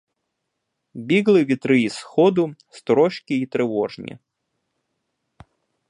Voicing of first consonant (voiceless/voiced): voiced